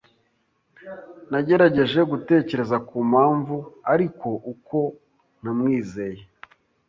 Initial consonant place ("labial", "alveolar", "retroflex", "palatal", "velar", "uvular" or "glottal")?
alveolar